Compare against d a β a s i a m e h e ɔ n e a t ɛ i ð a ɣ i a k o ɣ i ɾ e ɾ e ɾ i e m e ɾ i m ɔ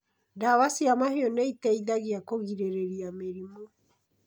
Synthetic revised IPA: d a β a s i a m a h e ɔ n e i t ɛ i ð a ɣ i a k o ɣ i ɾ e ɾ e ɾ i a m e ɾ i m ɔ